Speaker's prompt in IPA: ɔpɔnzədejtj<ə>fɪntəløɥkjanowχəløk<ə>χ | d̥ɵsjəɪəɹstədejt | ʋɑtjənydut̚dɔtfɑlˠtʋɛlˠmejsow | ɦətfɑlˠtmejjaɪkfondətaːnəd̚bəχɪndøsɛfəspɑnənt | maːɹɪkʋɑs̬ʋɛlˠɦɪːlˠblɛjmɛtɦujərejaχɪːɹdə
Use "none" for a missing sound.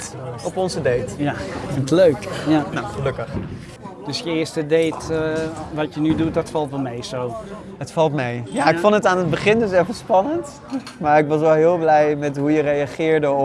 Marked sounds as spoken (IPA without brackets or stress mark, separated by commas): a, ə